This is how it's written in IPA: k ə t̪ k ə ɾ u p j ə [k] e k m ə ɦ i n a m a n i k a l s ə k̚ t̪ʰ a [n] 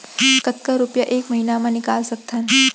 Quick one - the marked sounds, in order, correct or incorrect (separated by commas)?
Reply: incorrect, correct